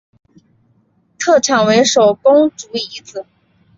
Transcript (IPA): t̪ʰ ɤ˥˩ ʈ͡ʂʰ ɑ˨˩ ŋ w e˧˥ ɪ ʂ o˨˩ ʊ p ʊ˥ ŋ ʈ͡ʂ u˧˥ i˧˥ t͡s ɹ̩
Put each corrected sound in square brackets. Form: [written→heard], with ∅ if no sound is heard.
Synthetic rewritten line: t̪ʰ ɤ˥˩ ʈ͡ʂʰ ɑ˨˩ ŋ w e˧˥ ɪ ʂ o˨˩ ʊ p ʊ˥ ŋ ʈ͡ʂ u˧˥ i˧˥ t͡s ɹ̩